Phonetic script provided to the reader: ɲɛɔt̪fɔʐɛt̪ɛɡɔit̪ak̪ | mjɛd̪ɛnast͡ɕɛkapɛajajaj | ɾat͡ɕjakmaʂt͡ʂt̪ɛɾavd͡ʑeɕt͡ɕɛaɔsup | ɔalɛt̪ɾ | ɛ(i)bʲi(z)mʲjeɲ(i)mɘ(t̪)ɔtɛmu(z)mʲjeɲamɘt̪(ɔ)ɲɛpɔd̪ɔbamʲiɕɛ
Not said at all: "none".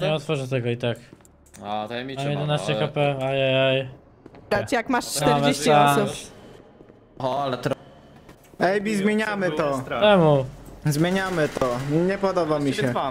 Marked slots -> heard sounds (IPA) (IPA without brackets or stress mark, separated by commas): j, z, a, t̪, z, ɔ